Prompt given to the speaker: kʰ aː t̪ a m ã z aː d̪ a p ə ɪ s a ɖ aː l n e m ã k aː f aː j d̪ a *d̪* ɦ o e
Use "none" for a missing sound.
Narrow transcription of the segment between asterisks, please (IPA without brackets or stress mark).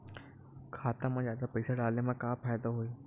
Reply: none